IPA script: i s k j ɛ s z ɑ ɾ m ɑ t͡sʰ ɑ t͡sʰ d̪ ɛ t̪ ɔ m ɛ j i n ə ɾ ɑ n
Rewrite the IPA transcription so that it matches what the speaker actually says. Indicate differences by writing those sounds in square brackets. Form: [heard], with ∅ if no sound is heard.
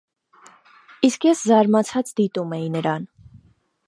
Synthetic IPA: i s k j ɛ s z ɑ ɾ m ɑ t͡sʰ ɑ [t͡s] d̪ [i] t̪ [u] m ɛ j i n ə ɾ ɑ n